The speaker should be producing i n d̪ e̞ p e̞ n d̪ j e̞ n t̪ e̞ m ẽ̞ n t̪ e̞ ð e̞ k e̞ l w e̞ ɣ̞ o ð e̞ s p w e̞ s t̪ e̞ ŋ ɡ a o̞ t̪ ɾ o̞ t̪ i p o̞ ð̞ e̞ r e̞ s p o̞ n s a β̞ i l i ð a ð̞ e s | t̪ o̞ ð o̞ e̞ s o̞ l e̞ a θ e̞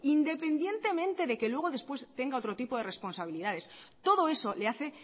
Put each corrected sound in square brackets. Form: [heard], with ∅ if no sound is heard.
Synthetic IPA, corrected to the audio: i n d̪ e̞ p e̞ n d̪ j e̞ n t̪ e̞ m ẽ̞ n t̪ e̞ ð e̞ k e̞ l w e̞ ɣ̞ o ð e̞ s p w e̞ s t̪ e̞ ŋ ɡ a o̞ t̪ ɾ o̞ t̪ i p o̞ ð̞ e̞ r e̞ s p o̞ n s a β̞ i l i ð a ð̞ e s | t̪ o̞ ð o̞ e̞ s o̞ l e̞ a θ e̞